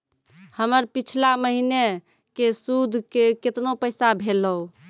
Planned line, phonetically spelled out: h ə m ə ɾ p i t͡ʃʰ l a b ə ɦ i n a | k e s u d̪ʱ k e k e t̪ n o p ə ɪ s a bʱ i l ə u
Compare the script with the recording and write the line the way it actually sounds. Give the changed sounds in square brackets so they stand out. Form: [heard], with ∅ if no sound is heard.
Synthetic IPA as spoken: h ə m ə ɾ p i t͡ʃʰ l a [m] ə ɦ i n [e] | k e s u d̪ʱ k e k e t̪ n o p ə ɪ s a bʱ [e] l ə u